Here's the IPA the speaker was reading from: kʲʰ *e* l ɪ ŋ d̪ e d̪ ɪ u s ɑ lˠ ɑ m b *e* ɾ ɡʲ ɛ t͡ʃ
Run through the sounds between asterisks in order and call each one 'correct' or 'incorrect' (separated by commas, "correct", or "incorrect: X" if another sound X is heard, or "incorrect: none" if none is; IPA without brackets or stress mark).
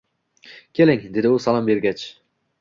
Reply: correct, correct